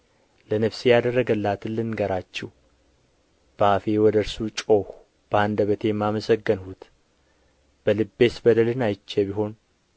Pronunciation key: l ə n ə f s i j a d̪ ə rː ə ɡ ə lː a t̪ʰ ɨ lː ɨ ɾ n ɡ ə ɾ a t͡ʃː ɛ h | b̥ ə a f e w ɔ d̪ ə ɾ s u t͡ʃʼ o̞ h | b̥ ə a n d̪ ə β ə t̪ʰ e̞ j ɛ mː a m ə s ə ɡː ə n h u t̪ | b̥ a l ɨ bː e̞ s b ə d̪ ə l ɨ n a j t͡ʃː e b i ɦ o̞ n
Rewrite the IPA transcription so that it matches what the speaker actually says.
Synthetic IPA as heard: l ə n ə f s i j a d̪ ə rː ə ɡ ə lː a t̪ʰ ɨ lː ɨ n ɡ ə ɾ a t͡ʃː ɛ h | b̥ ə a f e w ɔ d̪ ə ɾ s u t͡ʃʼ o̞ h | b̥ ə a n d̪ ə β ə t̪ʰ e̞ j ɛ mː a m ə s ə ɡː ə n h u t̪ | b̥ ə l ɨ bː e̞ s b ə d̪ ə l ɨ n a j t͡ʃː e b i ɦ o̞ n